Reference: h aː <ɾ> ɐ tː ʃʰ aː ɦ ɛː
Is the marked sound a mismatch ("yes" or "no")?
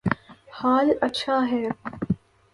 yes